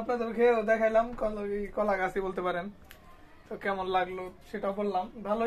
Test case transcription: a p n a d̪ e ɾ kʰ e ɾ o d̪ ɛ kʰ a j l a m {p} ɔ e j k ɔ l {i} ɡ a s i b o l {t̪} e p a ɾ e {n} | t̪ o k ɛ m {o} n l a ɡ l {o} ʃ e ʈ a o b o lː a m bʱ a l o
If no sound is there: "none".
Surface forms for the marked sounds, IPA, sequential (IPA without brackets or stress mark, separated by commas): k, a, t̪, n, o, o